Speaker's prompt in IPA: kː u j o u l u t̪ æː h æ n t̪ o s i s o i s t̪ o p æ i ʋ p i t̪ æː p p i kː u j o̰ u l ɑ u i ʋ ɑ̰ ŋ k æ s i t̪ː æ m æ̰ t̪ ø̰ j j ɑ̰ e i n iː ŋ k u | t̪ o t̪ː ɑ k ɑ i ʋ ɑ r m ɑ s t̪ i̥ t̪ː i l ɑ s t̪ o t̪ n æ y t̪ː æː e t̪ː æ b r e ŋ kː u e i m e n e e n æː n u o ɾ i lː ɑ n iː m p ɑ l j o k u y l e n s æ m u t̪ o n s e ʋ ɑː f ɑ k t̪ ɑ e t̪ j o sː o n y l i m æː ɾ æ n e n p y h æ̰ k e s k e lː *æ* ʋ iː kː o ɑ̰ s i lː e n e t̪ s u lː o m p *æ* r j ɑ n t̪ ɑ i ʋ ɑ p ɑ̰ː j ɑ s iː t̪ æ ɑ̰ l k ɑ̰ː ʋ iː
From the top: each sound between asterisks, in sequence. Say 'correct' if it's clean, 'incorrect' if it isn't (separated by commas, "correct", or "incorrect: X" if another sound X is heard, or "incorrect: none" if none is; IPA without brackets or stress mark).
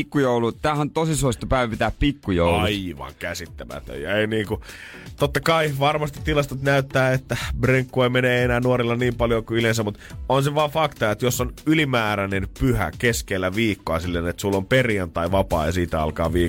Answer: correct, incorrect: e